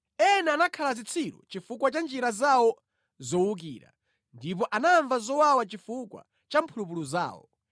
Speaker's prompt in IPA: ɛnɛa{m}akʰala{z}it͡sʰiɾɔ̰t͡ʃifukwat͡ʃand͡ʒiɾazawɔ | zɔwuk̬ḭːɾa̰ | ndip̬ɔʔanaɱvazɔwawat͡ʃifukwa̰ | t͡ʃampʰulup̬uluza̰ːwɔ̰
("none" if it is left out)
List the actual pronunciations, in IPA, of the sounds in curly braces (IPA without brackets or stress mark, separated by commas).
n, z